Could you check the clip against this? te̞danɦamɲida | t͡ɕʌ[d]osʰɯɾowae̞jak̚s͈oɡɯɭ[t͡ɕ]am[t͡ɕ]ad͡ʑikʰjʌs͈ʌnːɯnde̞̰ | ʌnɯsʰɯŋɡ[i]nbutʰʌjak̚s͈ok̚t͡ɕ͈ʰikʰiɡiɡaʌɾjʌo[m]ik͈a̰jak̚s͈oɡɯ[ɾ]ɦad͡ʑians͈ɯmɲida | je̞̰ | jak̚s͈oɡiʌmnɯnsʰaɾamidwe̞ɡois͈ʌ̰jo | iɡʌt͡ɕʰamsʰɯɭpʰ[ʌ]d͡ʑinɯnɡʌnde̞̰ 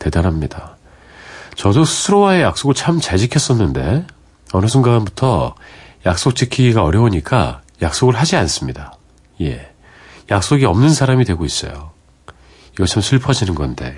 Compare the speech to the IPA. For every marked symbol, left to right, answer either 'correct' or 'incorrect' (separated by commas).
correct, incorrect, correct, incorrect, incorrect, incorrect, correct